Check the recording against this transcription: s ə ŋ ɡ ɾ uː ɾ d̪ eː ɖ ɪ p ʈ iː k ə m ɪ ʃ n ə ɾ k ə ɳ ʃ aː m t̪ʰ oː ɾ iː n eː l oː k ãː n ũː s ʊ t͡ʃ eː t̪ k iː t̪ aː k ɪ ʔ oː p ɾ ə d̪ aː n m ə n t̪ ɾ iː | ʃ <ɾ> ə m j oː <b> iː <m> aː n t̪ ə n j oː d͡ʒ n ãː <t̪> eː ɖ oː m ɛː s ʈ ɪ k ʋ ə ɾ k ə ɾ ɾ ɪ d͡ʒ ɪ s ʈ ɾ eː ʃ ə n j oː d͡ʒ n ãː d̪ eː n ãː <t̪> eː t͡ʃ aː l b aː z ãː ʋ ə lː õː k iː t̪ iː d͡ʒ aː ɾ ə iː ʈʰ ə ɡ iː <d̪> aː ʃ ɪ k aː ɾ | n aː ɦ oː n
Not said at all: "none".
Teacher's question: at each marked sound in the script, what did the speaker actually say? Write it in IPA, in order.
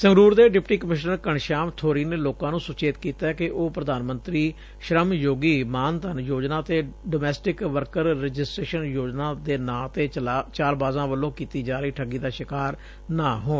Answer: ɾ, ɡ, m, t̪, t̪, d̪

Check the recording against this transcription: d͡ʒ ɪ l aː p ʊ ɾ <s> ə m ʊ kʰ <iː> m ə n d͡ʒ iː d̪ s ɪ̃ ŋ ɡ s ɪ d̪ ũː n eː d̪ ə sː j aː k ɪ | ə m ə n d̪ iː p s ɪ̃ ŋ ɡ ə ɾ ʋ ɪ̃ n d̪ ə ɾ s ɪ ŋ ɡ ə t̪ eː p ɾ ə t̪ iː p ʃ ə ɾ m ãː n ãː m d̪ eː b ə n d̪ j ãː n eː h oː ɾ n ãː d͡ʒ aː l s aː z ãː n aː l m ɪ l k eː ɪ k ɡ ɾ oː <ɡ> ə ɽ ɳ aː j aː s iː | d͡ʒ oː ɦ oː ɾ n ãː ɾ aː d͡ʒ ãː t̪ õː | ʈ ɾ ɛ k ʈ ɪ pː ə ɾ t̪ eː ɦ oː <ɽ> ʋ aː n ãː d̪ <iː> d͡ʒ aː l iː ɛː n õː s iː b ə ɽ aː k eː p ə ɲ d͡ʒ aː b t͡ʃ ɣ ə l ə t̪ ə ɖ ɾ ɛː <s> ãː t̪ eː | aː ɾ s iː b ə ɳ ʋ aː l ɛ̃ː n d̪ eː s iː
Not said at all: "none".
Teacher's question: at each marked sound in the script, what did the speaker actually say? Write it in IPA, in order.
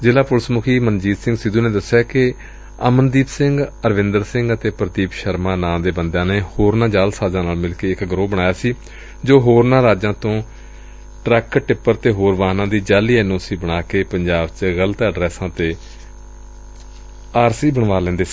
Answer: s, iː, b, ɾ, iː, s

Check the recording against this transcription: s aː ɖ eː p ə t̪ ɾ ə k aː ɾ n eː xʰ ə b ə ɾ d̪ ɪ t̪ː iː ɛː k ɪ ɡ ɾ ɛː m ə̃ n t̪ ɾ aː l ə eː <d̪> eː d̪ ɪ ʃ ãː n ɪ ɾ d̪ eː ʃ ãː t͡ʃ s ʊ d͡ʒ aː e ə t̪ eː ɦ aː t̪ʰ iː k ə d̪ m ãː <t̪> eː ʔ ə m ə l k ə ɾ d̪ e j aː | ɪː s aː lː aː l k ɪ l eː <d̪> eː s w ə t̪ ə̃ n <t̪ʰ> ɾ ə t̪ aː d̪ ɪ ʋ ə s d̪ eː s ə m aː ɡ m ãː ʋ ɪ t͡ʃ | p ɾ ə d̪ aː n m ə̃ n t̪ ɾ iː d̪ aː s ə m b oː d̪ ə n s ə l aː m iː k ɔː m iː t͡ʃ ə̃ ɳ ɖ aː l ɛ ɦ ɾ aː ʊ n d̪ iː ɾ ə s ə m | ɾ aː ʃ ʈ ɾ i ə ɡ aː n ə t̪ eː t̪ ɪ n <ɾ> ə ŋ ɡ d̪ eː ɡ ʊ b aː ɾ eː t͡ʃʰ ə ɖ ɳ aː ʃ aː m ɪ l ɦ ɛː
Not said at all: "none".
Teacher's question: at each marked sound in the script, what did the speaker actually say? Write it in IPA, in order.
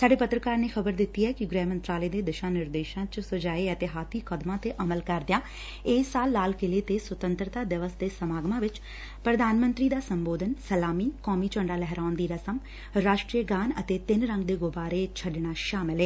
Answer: d̪, t̪, t̪, t̪, ɾ

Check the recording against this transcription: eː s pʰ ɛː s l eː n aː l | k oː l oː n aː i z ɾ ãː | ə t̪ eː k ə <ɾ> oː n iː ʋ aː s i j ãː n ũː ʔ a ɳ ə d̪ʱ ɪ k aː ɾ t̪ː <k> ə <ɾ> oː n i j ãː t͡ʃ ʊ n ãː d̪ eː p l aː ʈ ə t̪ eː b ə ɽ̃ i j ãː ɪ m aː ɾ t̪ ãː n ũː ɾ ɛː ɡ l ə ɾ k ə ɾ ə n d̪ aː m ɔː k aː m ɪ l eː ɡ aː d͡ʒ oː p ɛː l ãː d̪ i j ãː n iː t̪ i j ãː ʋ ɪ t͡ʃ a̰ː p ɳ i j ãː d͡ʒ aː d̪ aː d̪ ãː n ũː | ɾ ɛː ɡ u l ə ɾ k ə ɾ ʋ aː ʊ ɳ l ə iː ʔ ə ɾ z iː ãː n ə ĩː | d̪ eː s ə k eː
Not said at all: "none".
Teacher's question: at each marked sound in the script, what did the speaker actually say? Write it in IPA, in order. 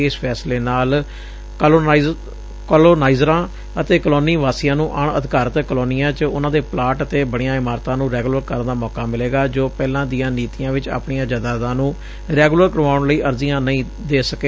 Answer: l, k, l

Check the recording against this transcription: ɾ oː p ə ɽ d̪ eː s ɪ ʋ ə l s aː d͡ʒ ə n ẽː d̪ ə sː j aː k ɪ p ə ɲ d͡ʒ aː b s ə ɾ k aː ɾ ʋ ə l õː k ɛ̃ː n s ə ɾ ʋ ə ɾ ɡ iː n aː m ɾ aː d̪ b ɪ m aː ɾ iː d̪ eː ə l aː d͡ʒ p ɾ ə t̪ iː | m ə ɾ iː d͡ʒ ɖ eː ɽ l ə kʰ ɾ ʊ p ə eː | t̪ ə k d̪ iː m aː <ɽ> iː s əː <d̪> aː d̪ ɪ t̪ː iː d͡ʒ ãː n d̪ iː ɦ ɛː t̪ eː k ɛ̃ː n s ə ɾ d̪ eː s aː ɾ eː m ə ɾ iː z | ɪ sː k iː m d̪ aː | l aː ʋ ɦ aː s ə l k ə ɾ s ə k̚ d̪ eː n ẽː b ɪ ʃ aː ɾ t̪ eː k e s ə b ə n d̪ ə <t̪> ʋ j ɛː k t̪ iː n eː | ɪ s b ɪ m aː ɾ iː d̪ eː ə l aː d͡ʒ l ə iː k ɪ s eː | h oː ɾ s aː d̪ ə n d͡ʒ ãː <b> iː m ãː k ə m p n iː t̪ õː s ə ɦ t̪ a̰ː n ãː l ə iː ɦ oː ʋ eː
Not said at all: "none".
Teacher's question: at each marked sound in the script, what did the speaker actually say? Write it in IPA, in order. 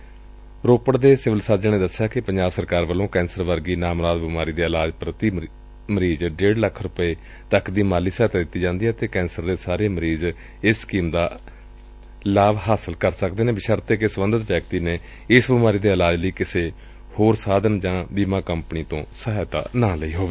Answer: l, t̪, t̪, b

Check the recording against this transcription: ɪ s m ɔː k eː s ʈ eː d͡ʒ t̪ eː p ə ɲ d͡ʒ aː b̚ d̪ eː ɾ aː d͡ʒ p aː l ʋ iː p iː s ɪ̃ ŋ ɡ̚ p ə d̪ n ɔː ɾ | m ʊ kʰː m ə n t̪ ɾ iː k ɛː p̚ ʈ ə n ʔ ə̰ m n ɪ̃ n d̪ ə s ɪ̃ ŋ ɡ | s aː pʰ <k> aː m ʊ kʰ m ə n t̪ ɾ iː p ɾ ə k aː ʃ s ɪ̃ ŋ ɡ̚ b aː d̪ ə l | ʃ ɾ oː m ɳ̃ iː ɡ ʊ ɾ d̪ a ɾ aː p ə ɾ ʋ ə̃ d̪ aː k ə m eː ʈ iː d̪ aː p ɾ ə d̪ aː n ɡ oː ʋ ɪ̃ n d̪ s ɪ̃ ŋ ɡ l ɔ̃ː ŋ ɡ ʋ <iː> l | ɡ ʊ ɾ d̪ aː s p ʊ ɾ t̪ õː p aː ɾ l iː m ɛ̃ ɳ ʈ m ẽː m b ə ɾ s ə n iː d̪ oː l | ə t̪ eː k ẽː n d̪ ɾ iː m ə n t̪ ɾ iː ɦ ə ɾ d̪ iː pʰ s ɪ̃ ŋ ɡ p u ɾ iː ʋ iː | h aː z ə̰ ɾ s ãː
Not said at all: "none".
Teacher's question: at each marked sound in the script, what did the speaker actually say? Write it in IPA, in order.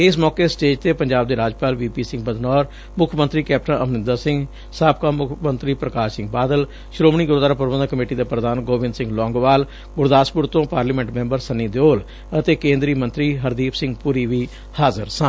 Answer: k, aː

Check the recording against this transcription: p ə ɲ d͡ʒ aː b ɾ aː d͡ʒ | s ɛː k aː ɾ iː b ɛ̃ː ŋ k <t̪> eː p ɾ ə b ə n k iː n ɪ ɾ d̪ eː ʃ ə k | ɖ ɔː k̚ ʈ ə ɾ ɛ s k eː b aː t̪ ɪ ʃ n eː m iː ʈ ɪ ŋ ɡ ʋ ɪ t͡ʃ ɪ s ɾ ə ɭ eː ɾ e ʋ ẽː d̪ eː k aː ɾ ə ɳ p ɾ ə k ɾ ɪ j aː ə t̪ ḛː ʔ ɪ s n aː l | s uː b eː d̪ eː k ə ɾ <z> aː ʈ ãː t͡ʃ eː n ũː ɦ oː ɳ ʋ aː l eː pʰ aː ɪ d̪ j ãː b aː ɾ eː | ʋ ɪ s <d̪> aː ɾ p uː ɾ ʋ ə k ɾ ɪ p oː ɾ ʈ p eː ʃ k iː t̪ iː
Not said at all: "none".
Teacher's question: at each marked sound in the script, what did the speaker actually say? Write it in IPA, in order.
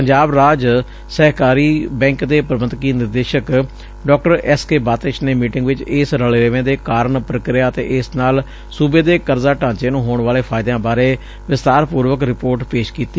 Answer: d̪, z, t̪

